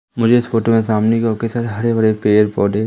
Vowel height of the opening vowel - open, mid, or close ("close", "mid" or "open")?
close